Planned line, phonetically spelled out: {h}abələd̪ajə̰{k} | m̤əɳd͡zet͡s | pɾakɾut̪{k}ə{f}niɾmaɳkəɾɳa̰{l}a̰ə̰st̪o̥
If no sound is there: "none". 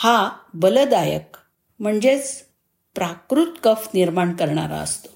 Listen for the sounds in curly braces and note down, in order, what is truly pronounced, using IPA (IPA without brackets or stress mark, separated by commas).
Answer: h, k, k, f, ɾ